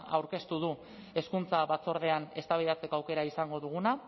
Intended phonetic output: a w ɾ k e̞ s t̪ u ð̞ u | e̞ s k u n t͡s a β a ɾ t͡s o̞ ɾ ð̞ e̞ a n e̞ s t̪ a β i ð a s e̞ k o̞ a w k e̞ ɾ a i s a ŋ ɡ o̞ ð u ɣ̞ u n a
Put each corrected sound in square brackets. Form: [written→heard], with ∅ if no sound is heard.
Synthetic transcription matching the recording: a w ɾ k e̞ s t̪ u ð̞ u | e̞ s k u n t͡s a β a [ɾ→∅] t͡s o̞ ɾ ð̞ e̞ a n e̞ s t̪ a β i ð a [s→t͡s] e̞ k o̞ a w k e̞ ɾ a i s a ŋ ɡ o̞ ð u ɣ̞ u n a

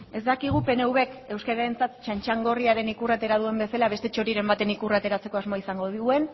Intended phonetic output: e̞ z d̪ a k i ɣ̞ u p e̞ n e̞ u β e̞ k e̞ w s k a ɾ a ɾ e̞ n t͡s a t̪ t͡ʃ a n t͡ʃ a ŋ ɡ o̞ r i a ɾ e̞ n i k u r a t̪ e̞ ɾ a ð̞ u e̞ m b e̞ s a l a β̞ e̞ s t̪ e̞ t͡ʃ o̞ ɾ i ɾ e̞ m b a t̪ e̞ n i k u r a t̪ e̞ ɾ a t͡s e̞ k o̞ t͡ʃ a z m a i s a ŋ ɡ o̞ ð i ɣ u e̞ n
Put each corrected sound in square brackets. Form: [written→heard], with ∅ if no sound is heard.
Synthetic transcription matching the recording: e̞ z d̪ a k i ɣ̞ u p e̞ n e̞ u β e̞ k e̞ w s k a ɾ a ɾ e̞ n t͡s a t̪ t͡ʃ a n t͡ʃ a ŋ ɡ o̞ r i a ɾ e̞ n i k u r a t̪ e̞ ɾ a ð̞ u e̞ m b e̞ s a l a β̞ e̞ s t̪ e̞ t͡ʃ o̞ ɾ i ɾ e̞ m b a t̪ e̞ n i k u r a t̪ e̞ ɾ a t͡s e̞ k o̞ [t͡ʃ→∅] a z m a i s a ŋ ɡ o̞ ð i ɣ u e̞ n

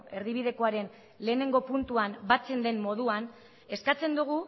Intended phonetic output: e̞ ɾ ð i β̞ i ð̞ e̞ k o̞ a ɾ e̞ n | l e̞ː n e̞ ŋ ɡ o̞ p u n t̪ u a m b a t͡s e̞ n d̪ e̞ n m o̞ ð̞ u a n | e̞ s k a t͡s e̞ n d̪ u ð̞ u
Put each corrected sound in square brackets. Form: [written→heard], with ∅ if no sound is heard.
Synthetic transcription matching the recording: e̞ ɾ ð i β̞ i ð̞ e̞ k o̞ a ɾ e̞ n | l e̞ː n e̞ ŋ ɡ o̞ p u n t̪ u a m b a t͡s e̞ n d̪ e̞ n m o̞ ð̞ u a n | e̞ s k a t͡s e̞ n d̪ u [ð̞→ɣ̞] u

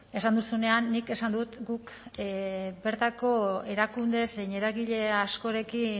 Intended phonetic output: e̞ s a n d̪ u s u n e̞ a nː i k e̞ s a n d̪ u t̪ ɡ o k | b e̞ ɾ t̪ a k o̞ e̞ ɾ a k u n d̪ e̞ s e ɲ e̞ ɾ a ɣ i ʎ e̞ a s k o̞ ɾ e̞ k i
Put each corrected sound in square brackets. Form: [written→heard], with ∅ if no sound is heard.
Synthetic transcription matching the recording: e̞ s a n d̪ u s u n e̞ a nː i k e̞ s a n d̪ u t̪ ɡ [o→u] k | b e̞ ɾ t̪ a k o̞ e̞ ɾ a k u n d̪ e̞ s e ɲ e̞ ɾ a ɣ i ʎ e̞ a s k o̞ ɾ e̞ k i

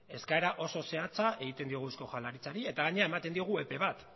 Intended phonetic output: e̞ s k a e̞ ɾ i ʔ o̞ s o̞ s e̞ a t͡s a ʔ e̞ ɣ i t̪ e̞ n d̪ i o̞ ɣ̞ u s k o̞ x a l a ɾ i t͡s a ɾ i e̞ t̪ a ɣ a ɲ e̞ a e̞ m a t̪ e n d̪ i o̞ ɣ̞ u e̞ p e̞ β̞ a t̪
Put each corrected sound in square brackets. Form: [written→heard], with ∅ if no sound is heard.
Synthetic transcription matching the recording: e̞ s k a e̞ ɾ [i→a] ʔ o̞ s o̞ s e̞ a t͡s a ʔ e̞ ɣ i t̪ e̞ n d̪ i o̞ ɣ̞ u s k o̞ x a l a ɾ i t͡s a ɾ i e̞ t̪ a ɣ a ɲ e̞ a e̞ m a t̪ e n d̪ i o̞ ɣ̞ u e̞ p e̞ β̞ a t̪

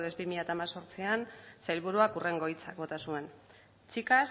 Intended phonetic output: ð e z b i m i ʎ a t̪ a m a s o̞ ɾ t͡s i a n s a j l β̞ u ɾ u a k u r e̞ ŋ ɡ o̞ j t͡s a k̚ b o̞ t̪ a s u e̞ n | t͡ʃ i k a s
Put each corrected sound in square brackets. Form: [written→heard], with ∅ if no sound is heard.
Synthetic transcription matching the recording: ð e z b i m i ʎ a t̪ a m a s o̞ ɾ t͡s i a n s a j l β̞ u ɾ u a k u r e̞ ŋ ɡ o̞ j t͡s a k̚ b o̞ t̪ a s u e̞ n | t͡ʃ i k a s

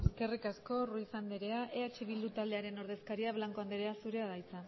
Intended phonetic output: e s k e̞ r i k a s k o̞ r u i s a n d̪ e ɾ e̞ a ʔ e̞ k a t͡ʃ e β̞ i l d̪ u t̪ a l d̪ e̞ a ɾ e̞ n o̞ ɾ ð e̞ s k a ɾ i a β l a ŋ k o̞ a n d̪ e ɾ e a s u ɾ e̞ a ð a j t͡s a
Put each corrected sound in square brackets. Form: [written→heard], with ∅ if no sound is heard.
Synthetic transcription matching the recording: e s k e̞ r i k a s k o̞ r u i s a n d̪ e ɾ e̞ a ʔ e̞ [k→∅] a t͡ʃ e β̞ i l d̪ u t̪ a l d̪ e̞ a ɾ e̞ n o̞ ɾ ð e̞ s k a ɾ i a β l a ŋ k o̞ a n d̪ e ɾ e a s u ɾ e̞ a ð a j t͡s a

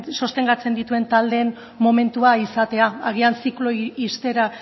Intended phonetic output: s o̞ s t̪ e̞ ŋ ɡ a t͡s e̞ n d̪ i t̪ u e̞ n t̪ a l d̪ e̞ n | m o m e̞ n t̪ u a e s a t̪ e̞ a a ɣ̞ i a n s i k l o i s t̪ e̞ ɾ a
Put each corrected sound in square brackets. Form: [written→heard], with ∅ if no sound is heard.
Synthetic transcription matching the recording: s o̞ s t̪ e̞ ŋ ɡ a t͡s e̞ n d̪ i t̪ u e̞ n t̪ a l d̪ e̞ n | m o m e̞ n t̪ u a [e→i] s a t̪ e̞ a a ɣ̞ i a n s i k l o i s t̪ e̞ ɾ a

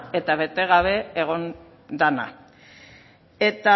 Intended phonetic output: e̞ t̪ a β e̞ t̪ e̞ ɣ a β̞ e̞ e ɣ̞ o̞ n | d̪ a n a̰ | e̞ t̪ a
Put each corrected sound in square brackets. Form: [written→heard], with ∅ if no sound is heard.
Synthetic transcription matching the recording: e̞ t̪ a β e̞ t̪ e̞ ɣ a β̞ e̞ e ɣ̞ o̞ n | d̪ a n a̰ | e̞ t̪ a

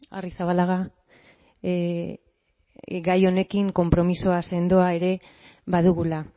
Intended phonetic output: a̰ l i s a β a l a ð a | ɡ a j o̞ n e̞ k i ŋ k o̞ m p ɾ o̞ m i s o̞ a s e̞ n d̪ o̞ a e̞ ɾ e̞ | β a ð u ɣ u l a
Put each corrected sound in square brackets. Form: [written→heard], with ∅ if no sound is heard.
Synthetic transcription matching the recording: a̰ [l→r] i s a β a l a [ð→ɣ] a | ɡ a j o̞ n e̞ k i ŋ k o̞ m p ɾ o̞ m i s o̞ a s e̞ n d̪ o̞ a e̞ ɾ e̞ | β a ð u ɣ u l a

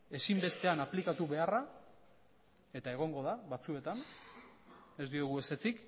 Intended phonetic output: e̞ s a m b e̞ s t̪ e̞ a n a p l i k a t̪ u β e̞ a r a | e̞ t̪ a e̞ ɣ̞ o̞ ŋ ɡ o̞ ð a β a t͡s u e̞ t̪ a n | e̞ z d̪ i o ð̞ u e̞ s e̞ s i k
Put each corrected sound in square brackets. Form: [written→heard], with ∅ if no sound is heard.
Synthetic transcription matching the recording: e̞ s [a→i] m b e̞ s t̪ e̞ a n a p l i k a t̪ u β e̞ a r a | e̞ t̪ a e̞ ɣ̞ o̞ ŋ ɡ o̞ ð a β a t͡s u e̞ t̪ a n | e̞ z d̪ i o [ð̞→ɣ̞] u e̞ s e̞ [s→t͡s] i k

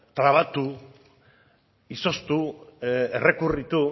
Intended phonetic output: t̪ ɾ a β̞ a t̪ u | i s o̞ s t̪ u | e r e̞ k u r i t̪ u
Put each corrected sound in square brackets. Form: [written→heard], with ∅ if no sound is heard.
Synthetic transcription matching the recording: t̪ ɾ a β̞ a t̪ u | i s o̞ s t̪ u | e r e̞ k u r i t̪ u

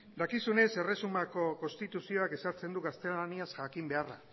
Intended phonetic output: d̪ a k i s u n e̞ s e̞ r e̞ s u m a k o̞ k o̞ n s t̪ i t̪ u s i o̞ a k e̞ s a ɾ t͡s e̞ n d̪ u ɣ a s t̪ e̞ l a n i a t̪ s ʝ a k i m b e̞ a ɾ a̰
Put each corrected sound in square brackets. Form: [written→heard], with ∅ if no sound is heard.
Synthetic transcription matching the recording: d̪ a k i s u n e̞ s e̞ r e̞ s u m a k o̞ k o̞ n s t̪ i t̪ u s i o̞ a k e̞ s a ɾ t͡s e̞ n d̪ u ɣ a s t̪ e̞ l a n i a [t̪→∅] s ʝ a k i m b e̞ a [ɾ→r] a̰

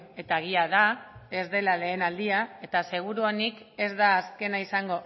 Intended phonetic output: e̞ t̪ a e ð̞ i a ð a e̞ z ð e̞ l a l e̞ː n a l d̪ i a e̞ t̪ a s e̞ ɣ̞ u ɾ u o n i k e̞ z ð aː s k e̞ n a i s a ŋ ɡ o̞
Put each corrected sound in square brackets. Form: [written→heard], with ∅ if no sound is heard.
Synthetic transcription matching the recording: e̞ t̪ a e [ð̞→ɣ̞] i a ð a e̞ z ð e̞ l a l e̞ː n a l d̪ i a e̞ t̪ a s e̞ ɣ̞ u ɾ u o n i k e̞ z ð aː s k e̞ n a i s a ŋ ɡ o̞

